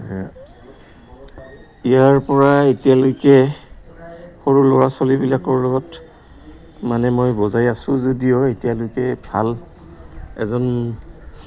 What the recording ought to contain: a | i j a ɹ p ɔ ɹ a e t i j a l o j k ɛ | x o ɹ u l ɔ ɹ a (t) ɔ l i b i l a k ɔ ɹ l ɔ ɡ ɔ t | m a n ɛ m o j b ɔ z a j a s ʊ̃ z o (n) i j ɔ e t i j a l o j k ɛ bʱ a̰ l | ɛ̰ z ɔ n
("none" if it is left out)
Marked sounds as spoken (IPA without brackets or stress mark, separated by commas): s, d